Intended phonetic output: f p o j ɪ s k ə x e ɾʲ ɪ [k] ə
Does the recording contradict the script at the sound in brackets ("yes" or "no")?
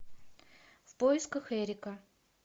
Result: no